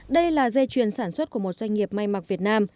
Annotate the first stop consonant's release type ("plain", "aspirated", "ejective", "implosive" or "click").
implosive